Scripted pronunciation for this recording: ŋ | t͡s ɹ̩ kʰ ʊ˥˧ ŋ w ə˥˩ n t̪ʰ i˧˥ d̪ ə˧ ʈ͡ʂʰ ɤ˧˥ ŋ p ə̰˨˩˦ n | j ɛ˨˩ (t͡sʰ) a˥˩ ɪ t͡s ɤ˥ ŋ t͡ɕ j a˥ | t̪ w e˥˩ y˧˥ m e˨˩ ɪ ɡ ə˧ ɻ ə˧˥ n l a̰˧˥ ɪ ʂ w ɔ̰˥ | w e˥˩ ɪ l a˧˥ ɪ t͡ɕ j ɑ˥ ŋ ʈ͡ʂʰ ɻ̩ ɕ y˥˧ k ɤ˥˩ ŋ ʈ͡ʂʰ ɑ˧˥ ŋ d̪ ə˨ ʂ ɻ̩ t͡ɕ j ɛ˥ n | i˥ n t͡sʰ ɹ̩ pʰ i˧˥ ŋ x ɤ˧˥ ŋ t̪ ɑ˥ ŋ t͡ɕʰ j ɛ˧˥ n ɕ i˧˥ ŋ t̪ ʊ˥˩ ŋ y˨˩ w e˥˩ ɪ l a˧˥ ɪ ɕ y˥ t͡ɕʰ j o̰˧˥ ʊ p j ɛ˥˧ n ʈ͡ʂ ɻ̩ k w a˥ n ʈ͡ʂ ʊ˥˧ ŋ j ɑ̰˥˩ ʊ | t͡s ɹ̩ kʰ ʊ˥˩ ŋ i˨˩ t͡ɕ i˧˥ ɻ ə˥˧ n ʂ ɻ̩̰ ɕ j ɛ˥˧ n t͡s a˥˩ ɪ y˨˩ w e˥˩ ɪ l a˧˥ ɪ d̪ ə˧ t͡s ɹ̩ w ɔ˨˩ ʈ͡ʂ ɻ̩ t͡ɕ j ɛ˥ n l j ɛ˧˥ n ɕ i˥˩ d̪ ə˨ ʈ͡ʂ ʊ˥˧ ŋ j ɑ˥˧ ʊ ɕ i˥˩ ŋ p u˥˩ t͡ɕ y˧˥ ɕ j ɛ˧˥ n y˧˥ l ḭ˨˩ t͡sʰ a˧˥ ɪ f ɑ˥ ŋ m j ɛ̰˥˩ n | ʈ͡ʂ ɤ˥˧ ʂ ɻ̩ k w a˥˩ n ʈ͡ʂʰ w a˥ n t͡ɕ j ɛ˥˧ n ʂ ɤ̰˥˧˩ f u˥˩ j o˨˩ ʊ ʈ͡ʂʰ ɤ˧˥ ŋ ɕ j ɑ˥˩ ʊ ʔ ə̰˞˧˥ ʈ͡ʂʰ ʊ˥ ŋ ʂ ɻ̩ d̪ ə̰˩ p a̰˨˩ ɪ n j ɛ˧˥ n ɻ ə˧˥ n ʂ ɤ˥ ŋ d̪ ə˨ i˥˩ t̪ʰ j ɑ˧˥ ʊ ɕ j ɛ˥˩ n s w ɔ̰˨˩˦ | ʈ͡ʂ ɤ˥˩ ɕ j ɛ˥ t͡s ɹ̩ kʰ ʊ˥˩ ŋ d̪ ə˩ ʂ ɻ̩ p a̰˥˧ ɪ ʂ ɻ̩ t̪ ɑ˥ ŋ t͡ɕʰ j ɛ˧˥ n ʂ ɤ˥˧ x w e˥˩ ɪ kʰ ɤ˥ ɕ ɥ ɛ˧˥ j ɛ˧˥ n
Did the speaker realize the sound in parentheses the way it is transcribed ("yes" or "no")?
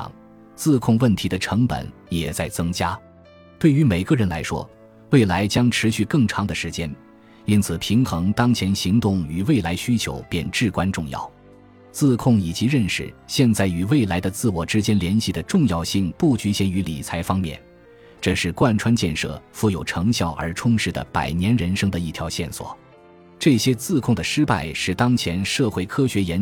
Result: no